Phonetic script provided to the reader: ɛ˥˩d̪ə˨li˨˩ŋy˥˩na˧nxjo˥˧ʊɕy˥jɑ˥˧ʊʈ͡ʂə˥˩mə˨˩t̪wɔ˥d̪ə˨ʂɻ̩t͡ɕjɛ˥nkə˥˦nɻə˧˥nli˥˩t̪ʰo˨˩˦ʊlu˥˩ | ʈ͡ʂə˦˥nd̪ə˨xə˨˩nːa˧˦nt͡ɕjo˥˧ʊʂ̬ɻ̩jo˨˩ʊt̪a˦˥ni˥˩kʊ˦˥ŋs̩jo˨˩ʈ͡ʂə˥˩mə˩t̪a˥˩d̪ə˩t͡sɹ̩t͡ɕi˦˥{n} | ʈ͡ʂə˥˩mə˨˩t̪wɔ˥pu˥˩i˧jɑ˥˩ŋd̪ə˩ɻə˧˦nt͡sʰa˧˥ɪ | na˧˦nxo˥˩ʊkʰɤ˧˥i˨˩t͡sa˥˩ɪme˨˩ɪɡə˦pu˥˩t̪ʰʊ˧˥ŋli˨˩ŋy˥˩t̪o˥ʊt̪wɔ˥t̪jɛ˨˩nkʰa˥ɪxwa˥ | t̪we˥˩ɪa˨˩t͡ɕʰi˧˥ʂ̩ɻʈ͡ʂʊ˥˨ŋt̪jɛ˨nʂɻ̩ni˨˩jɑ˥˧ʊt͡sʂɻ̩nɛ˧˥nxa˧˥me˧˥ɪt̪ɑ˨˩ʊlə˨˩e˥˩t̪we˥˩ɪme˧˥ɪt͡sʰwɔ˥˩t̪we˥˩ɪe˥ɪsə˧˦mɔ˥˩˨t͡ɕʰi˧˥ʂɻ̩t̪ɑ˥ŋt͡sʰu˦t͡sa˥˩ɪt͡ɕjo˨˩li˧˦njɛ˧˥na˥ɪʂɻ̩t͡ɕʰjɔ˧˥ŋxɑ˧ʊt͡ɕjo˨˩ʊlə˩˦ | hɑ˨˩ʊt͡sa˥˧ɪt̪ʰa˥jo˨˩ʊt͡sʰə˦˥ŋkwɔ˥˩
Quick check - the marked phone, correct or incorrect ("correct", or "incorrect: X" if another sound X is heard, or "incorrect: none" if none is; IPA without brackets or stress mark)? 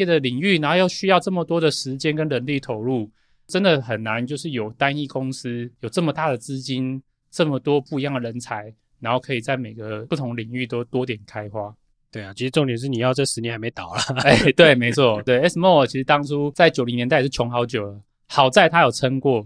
correct